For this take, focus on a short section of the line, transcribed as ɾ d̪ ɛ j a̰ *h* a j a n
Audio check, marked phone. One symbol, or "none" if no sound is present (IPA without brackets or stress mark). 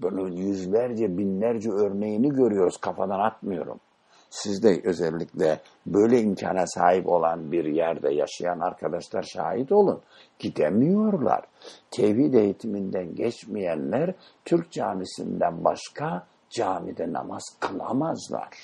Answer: ʃ